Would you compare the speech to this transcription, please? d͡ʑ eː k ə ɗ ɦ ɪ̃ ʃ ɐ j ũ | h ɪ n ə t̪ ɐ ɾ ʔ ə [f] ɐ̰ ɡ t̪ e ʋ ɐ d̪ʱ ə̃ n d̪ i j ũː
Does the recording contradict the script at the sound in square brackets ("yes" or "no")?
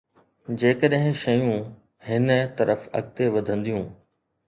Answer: no